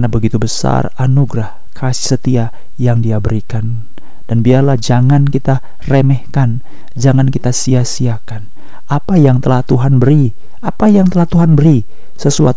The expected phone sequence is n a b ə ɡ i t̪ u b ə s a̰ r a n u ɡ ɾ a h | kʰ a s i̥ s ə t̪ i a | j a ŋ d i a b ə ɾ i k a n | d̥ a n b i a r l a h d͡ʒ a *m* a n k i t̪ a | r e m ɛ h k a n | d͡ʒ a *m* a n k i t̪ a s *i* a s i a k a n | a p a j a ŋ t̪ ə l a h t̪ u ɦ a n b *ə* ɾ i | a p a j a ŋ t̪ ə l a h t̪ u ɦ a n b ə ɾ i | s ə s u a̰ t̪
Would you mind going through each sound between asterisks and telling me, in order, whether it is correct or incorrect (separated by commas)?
incorrect, incorrect, correct, correct